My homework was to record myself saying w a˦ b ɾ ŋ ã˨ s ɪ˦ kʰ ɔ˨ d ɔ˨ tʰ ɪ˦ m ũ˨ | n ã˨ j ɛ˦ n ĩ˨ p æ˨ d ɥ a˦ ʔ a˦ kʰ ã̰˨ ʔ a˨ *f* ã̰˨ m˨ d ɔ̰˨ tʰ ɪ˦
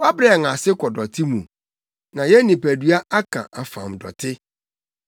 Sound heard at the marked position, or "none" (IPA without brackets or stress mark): f